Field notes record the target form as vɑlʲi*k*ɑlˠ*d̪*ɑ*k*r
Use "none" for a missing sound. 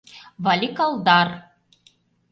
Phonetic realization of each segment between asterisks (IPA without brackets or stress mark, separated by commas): k, d̪, none